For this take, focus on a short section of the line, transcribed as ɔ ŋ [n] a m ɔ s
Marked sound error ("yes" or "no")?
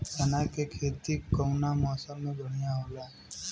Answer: no